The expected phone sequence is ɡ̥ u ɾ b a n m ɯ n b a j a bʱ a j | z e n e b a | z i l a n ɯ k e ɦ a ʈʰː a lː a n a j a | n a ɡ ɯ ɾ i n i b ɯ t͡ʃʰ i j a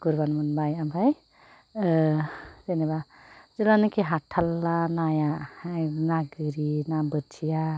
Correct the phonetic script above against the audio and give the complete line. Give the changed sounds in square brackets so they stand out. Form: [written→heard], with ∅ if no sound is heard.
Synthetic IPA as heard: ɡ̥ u ɾ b a n m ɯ n b a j a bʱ a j | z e n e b a | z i l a n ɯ k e ɦ a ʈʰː a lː a n a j a | n a ɡ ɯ ɾ i n [i→a] b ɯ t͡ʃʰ i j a